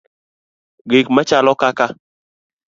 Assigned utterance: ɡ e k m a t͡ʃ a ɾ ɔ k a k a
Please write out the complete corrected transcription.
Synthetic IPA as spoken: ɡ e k m a t͡ʃ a l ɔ k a k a